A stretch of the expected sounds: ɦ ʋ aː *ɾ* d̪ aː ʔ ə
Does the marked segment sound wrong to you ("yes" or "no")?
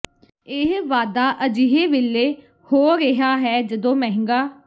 yes